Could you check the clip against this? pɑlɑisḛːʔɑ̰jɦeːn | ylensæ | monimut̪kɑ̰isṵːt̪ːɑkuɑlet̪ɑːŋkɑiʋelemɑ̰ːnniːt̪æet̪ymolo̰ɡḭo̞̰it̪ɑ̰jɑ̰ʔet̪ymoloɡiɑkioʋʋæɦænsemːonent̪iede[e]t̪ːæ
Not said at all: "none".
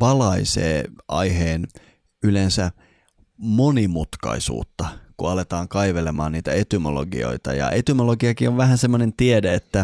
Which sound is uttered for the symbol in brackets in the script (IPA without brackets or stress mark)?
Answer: e